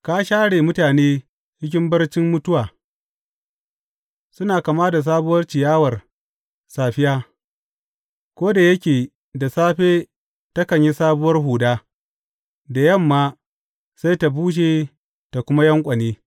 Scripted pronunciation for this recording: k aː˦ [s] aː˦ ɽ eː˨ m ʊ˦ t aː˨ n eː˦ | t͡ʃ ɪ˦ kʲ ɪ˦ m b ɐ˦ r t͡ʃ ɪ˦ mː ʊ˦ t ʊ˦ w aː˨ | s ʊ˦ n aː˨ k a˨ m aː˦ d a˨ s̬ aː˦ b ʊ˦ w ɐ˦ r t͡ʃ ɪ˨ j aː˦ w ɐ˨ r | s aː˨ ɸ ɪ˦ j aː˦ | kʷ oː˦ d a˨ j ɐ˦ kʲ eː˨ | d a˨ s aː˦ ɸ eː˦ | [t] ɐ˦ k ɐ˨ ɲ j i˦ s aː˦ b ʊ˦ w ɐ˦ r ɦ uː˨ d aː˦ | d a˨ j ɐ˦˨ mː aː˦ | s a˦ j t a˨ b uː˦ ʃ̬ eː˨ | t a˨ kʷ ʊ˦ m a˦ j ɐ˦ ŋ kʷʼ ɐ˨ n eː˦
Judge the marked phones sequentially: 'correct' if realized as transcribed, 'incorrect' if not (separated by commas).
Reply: incorrect, correct